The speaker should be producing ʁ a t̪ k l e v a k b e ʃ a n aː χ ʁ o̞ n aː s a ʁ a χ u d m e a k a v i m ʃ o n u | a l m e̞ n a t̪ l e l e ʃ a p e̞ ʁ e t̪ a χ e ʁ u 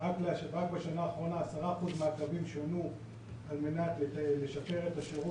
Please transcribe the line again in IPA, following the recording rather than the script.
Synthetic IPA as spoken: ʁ a k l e ʁ a k b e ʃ a n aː χ ʁ o̞ n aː s a ʁ a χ u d m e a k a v i m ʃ o n u | a l m e̞ n a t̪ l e l e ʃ a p e̞ ʁ e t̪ a ʃ e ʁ u